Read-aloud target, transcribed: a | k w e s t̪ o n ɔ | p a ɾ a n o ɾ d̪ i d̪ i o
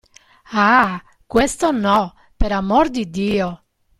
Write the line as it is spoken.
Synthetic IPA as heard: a | k w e s t̪ o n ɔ | p e ɾ a m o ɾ d̪ i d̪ iː o